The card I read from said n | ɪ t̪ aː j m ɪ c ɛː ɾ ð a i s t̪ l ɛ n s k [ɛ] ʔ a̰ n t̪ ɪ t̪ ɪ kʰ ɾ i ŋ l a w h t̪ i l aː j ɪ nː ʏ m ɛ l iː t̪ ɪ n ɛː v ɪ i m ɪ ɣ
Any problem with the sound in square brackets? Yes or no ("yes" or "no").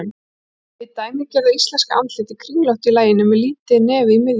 yes